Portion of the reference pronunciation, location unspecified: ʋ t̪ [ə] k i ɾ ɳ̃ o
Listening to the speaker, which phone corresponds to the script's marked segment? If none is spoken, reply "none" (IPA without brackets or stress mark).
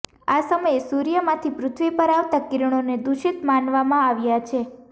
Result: a